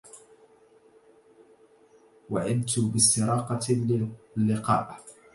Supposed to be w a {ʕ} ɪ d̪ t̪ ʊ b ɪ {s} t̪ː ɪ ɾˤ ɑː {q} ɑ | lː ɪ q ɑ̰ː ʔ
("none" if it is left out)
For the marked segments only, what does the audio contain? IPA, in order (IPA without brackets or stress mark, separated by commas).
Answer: ʕ, s, q